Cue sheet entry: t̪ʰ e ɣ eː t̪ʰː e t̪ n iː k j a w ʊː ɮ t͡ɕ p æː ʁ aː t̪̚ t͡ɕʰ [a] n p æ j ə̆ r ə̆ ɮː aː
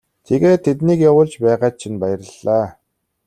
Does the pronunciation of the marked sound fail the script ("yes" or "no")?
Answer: yes